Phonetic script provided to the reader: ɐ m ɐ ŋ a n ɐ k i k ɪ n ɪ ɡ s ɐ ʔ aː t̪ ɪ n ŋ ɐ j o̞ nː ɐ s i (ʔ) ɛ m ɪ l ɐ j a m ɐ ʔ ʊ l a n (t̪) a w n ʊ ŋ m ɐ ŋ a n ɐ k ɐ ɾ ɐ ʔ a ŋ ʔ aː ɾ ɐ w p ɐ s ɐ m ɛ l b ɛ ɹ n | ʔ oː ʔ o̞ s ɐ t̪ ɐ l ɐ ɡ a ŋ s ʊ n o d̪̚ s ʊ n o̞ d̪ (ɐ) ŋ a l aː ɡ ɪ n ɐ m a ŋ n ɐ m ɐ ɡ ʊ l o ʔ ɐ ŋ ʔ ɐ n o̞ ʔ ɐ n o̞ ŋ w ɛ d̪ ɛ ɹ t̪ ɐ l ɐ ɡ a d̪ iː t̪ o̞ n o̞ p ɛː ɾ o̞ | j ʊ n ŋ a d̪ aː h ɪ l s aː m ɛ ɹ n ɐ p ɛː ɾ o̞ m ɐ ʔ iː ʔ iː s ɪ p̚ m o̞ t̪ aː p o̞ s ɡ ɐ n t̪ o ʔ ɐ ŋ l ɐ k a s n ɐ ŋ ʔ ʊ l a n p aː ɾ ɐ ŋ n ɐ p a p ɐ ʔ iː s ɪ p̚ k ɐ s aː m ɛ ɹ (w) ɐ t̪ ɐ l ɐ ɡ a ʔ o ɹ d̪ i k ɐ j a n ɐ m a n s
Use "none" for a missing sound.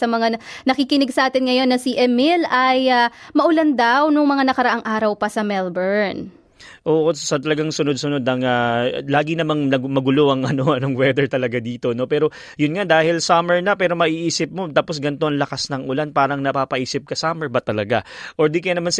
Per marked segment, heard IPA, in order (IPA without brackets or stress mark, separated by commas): ʔ, d̪, ɐ, b